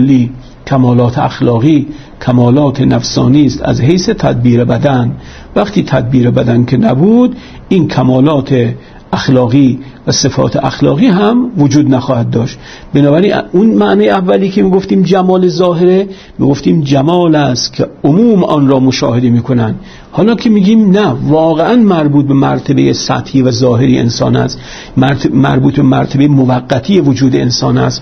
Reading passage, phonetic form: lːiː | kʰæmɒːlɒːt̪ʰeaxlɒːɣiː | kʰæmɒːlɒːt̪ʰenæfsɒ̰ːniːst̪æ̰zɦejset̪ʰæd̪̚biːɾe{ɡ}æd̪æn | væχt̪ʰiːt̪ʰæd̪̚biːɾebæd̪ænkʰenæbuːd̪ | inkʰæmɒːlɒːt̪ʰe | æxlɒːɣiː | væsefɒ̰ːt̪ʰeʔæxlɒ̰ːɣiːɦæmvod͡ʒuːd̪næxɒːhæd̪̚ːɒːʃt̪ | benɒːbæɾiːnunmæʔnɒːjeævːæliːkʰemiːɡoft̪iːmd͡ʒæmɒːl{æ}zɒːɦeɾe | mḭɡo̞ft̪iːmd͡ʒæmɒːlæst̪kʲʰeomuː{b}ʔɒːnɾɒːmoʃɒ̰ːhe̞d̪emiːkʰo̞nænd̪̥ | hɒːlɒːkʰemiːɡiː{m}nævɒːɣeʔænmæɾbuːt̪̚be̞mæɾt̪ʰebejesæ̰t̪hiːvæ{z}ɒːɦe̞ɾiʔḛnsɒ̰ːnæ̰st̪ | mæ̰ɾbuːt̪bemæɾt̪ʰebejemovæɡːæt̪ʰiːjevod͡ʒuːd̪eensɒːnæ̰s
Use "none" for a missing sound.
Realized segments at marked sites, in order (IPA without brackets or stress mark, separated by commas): b, e, m, m, z